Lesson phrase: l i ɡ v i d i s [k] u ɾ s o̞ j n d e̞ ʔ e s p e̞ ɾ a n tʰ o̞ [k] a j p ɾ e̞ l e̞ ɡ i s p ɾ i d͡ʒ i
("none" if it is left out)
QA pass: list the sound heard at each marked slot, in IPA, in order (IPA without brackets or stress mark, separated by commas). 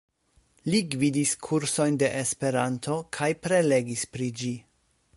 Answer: kʰ, kʰ